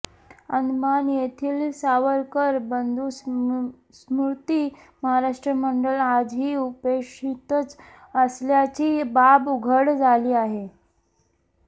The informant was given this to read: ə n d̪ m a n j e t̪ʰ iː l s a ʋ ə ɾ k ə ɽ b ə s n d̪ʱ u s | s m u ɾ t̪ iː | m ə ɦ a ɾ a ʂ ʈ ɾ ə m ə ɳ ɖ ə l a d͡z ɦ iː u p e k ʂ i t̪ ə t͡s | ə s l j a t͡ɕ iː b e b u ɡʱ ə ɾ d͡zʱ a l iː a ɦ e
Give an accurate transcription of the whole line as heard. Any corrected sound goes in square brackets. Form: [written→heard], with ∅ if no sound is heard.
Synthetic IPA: ə n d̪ m a n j e t̪ʰ iː l s a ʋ ə ɾ k ə [ɽ→ɾ] b ə [s→∅] n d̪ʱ u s | s m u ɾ t̪ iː | m ə ɦ a ɾ a ʂ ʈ ɾ ə m ə ɳ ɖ ə l a d͡z ɦ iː u p e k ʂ i t̪ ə t͡s | ə s l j a t͡ɕ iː b [e→a] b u ɡʱ ə [ɾ→ɽ] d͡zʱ a l iː a ɦ e